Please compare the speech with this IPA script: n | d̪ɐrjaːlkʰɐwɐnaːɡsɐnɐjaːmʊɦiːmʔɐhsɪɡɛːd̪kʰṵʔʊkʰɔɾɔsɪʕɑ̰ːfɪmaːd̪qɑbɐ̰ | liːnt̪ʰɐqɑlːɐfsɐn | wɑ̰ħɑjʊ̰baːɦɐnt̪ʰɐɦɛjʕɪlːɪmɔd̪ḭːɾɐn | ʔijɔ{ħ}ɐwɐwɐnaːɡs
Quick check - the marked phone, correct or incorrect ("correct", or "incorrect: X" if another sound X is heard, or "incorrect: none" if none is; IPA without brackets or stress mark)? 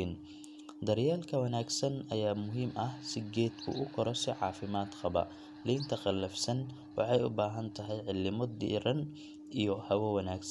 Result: incorrect: h